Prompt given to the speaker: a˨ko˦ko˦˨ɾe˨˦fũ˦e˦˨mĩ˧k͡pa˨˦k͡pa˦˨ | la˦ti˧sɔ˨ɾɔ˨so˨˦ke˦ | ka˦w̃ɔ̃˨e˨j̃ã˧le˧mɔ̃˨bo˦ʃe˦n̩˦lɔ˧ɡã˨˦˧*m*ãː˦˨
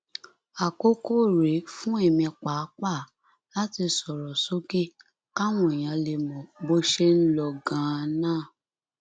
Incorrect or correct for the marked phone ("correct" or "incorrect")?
incorrect